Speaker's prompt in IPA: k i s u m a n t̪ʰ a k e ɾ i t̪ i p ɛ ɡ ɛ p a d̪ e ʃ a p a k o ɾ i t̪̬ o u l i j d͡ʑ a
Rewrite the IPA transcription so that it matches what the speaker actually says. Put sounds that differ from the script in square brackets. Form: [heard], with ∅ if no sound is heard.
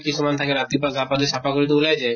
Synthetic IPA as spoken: k i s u m a n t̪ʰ a k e ɾ [a] t̪ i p [a] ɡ [a] p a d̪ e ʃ a p a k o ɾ i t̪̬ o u l [a] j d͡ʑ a